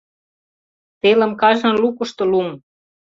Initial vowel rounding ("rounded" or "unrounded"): unrounded